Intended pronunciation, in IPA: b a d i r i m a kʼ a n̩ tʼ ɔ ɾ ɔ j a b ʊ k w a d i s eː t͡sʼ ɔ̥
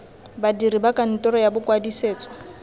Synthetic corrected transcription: b a d i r i b a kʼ a n̩ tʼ ɔ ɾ ɔ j a b ʊ k w a d i s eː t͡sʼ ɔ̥